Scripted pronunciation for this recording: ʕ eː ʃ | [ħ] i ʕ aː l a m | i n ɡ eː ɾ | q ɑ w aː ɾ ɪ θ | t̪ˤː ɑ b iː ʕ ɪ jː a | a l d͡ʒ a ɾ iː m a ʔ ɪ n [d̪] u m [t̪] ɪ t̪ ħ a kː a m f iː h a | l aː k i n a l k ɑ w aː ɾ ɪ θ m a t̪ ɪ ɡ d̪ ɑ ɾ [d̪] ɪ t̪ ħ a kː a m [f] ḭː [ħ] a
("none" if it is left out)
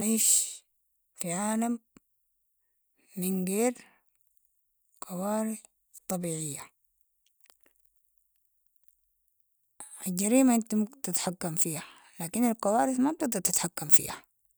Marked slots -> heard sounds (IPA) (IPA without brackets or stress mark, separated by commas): f, t̪, t̪, t̪, f, h